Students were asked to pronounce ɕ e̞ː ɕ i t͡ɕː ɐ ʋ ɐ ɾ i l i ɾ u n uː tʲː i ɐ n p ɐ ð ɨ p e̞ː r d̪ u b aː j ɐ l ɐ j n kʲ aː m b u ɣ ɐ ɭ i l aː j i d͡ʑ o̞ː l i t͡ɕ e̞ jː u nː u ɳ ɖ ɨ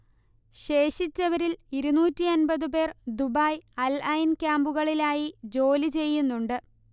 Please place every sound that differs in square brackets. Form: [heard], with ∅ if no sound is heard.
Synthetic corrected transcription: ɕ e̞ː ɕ i t͡ɕː ɐ ʋ ɐ ɾ i l i ɾ u n uː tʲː i ɐ n [b] ɐ ð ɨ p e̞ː r d̪ u b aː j ɐ l ɐ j n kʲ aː m b u ɣ ɐ ɭ i l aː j i d͡ʑ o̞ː l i t͡ɕ e̞ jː u nː u ɳ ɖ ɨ